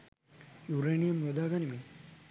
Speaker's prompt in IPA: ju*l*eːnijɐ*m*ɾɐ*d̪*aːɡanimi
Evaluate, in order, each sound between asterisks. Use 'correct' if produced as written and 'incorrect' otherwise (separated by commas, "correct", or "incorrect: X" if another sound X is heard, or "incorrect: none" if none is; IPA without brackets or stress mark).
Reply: incorrect: ɾ, correct, correct